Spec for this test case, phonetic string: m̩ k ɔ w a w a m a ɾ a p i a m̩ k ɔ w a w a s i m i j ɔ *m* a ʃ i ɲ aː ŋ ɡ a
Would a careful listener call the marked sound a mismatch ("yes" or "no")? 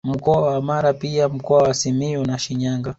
yes